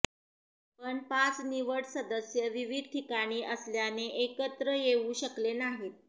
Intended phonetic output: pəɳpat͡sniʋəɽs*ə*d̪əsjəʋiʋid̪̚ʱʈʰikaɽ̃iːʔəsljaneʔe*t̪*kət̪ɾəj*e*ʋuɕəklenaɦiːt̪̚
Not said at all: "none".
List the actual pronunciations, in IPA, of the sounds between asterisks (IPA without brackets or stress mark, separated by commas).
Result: ə, none, e